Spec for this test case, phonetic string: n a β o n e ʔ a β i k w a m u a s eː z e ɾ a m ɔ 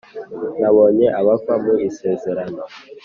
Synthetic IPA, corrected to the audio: n a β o ɲ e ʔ a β a k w a m u i s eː z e ɾ a n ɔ